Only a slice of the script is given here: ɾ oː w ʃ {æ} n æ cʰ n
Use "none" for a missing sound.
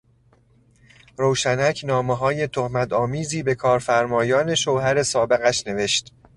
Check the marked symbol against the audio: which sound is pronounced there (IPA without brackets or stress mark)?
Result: æ